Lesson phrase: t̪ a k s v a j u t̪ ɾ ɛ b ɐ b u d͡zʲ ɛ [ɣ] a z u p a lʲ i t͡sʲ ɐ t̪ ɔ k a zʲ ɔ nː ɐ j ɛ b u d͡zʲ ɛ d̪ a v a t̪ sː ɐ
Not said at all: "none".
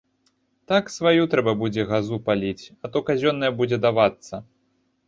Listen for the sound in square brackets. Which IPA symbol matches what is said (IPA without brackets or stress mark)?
ɣ